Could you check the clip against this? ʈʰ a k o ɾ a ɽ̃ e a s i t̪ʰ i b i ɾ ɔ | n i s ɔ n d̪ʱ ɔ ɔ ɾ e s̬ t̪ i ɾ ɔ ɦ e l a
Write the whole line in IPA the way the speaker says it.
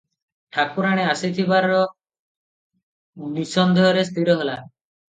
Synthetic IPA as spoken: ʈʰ a k u ɾ a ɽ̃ e a s i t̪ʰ i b a ɾ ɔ | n i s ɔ n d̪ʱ ɔ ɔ ɾ e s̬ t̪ i ɾ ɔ ɦ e l a